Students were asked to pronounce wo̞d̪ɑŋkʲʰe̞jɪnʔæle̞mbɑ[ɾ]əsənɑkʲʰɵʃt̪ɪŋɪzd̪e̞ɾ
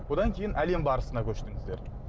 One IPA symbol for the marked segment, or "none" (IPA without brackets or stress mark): ɾ